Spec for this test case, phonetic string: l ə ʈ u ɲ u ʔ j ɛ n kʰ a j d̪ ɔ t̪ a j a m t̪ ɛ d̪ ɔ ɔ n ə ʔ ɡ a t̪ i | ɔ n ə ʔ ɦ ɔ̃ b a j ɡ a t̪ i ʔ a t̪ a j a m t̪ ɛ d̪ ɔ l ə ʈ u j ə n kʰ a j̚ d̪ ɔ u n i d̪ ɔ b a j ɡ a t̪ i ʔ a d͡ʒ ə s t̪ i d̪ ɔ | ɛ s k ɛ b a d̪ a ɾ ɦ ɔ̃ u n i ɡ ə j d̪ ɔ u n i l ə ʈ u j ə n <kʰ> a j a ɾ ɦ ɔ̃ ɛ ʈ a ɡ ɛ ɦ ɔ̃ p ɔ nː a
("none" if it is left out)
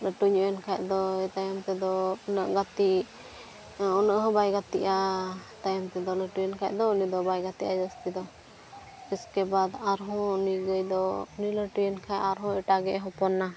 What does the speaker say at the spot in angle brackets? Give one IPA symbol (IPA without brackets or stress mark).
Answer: kʰ